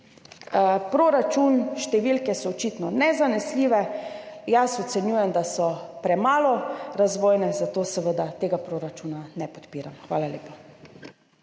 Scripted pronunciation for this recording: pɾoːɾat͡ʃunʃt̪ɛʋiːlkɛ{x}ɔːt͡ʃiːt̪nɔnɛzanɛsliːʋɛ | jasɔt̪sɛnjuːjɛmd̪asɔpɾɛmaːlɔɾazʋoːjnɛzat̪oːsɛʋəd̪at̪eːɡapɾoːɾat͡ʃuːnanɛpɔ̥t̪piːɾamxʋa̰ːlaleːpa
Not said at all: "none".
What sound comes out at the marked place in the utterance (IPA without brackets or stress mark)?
s